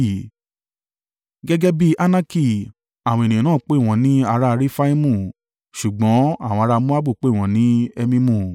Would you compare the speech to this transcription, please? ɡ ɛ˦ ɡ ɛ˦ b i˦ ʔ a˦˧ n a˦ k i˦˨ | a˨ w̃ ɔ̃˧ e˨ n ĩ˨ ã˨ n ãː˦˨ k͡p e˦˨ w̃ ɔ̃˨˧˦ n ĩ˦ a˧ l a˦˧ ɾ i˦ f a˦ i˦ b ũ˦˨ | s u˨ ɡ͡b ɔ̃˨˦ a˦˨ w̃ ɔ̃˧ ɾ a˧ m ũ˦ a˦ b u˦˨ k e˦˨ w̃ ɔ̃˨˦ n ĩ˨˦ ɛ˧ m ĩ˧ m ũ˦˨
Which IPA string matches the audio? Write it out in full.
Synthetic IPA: ɡ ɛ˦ ɡ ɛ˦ b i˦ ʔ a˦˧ n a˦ k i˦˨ | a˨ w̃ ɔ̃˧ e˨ n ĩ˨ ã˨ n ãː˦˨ k͡p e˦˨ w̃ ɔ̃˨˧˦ n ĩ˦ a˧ ɾ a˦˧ ɾ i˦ f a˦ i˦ m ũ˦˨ | ʃ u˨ ɡ͡b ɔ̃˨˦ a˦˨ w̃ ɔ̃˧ ɾ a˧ m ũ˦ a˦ b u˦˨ k͡p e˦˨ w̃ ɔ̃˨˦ n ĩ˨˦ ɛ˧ m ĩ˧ m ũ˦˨